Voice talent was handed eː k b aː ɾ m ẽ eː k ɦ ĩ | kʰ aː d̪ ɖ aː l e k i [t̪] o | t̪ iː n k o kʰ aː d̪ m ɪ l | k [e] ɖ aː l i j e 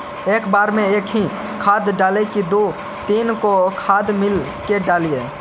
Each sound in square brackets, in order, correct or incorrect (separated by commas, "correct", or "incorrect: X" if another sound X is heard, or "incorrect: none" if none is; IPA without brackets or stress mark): incorrect: d̪, correct